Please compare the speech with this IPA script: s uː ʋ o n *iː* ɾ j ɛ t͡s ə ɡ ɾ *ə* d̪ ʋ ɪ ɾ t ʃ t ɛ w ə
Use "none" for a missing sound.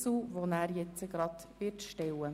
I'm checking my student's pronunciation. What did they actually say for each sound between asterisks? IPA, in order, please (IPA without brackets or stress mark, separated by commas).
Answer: æː, ɑ